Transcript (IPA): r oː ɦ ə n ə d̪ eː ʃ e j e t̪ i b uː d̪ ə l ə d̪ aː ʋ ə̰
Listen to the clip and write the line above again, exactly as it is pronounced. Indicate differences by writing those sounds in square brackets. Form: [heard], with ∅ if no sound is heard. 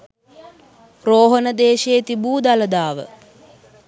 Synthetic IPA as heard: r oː ɦ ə n ə d̪ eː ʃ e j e t̪ i b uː d̪ [a] l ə d̪ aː ʋ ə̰